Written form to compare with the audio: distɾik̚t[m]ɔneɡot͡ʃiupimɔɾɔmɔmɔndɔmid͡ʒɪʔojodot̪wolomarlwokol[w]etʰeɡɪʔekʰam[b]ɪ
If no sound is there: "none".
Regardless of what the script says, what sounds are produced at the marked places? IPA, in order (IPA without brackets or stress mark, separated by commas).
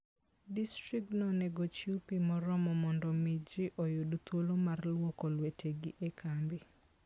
n, w, b